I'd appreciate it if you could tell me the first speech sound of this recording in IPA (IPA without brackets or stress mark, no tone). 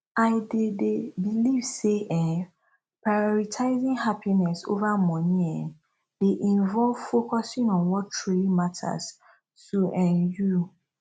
a